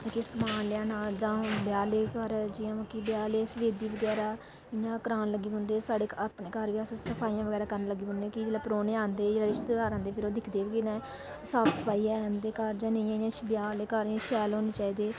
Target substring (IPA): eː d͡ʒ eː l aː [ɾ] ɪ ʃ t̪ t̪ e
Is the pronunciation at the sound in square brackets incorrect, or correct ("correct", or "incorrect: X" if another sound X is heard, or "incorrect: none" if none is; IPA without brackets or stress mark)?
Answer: correct